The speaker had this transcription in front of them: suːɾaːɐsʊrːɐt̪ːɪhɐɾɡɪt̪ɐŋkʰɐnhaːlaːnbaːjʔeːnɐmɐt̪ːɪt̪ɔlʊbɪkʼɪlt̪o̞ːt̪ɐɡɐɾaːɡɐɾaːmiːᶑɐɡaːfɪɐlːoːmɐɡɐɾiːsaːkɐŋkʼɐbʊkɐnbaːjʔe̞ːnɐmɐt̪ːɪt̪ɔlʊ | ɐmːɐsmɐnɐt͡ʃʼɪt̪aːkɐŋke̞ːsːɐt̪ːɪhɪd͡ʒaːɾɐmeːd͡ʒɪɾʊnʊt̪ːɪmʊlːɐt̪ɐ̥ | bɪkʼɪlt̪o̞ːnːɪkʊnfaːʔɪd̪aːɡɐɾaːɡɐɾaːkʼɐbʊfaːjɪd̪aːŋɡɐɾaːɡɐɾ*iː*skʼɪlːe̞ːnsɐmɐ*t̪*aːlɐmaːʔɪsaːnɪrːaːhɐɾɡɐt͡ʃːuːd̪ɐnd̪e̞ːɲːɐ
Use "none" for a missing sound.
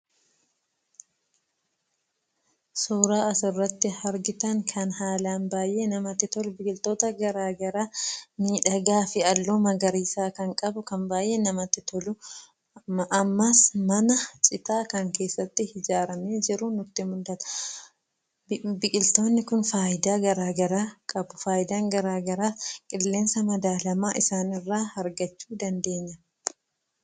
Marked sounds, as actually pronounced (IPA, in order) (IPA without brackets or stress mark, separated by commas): aː, d̪